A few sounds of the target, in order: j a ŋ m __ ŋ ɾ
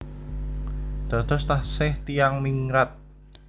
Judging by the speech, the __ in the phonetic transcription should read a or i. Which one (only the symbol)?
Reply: i